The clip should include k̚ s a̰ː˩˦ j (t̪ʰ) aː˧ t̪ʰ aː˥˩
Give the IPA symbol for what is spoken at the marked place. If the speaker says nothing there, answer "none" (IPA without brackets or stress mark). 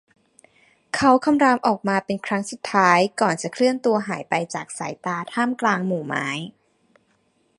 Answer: t̪